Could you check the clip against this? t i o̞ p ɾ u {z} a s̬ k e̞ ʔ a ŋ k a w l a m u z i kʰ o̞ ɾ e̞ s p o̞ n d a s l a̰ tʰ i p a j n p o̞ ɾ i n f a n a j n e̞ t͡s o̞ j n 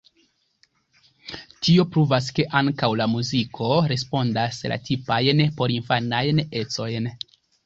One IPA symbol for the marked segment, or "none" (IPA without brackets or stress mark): v